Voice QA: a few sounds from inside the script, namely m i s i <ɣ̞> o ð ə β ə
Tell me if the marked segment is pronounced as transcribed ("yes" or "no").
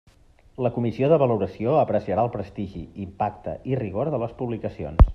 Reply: no